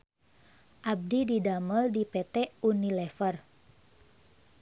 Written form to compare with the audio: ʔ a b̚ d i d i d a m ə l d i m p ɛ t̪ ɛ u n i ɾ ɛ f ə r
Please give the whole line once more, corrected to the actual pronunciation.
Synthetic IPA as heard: ʔ a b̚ d i d i d a m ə l d i p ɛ t̪ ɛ u n i l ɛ f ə r